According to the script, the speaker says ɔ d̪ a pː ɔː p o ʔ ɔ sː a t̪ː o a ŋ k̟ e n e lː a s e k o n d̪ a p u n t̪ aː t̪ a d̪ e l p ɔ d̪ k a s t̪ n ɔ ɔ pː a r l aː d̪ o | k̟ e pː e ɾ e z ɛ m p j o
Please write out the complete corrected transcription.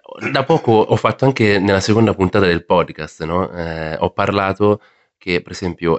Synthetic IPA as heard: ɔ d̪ a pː ɔː k o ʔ ɔ fː a t̪ː o a ŋ k̟ e n e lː a s e k o n d̪ a p u n t̪ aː t̪ a d̪ e l p ɔ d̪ k a s t̪ n ɔ ɔ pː a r l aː t̪ o | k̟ e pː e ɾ e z ɛ m p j o